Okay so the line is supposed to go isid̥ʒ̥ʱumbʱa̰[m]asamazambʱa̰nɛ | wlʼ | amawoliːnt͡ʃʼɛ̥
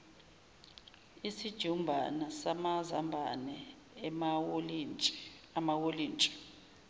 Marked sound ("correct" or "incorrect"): incorrect